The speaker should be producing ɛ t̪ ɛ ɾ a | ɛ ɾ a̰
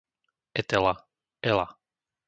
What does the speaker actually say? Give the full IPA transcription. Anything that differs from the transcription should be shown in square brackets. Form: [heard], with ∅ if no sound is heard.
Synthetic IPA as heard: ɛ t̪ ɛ [l] a | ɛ [l] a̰